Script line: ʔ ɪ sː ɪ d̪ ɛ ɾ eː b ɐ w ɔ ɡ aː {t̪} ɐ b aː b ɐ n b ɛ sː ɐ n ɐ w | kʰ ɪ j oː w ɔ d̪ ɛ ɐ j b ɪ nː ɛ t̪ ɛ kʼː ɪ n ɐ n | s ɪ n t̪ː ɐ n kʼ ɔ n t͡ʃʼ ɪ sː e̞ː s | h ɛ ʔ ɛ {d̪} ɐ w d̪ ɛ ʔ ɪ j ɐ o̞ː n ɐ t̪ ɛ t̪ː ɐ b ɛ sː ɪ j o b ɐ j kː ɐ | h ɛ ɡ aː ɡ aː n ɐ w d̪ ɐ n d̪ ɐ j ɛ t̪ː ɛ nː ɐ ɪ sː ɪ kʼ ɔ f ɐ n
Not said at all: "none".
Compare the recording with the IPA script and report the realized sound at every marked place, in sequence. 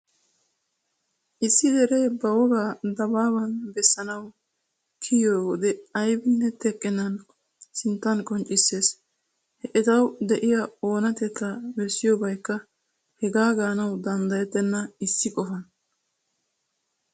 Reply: d̪, t̪

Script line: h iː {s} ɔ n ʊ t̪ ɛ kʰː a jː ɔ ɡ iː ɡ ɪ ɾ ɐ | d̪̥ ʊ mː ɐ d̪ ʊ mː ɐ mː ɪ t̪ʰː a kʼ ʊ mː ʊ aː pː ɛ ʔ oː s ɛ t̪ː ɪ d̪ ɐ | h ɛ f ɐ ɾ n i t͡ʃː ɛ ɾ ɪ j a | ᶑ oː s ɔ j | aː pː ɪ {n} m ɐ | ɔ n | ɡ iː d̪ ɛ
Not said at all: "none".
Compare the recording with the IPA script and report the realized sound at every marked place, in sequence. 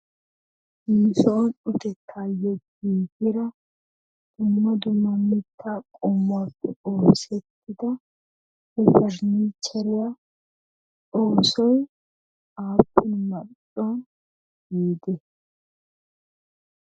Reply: s, n

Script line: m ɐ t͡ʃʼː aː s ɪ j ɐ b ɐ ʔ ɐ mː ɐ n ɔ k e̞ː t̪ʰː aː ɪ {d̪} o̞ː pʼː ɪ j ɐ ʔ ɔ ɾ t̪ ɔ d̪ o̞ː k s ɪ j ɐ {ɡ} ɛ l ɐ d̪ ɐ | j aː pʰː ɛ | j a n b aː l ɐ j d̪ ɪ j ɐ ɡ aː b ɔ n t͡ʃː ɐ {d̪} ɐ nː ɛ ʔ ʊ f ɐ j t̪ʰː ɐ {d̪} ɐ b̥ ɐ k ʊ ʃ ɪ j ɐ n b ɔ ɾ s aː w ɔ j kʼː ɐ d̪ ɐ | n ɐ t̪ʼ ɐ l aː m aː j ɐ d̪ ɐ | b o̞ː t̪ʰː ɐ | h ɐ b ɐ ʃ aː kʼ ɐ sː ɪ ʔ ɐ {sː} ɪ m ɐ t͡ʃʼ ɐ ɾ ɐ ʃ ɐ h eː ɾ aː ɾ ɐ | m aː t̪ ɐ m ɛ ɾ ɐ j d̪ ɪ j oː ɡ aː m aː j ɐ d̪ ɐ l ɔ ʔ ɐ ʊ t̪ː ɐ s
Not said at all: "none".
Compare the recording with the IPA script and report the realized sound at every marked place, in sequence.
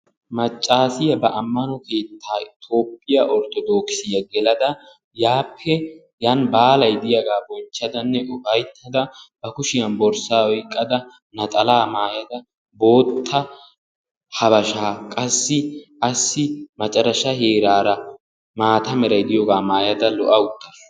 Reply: t̪, ɡ, d̪, d̪, sː

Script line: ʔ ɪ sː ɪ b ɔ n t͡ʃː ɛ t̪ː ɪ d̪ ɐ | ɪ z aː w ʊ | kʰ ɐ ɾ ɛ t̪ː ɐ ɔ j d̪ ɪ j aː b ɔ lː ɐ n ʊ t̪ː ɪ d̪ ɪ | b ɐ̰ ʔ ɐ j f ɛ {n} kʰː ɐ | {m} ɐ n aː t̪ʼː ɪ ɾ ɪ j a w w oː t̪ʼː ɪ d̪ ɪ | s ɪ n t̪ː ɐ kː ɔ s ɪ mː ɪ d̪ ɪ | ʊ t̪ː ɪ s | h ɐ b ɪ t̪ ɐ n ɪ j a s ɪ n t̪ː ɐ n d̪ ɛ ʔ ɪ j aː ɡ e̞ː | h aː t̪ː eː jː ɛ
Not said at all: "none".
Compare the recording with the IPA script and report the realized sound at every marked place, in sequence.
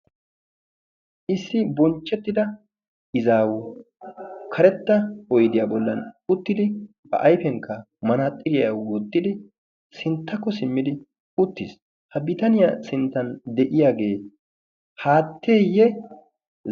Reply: ŋ, m

